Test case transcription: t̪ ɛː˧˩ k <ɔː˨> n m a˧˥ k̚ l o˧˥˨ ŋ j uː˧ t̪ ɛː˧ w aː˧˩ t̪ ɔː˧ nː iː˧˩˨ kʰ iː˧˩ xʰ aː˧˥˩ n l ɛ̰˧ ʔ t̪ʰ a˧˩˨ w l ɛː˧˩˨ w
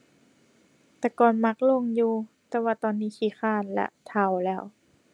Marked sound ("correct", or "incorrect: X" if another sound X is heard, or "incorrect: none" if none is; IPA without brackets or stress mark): correct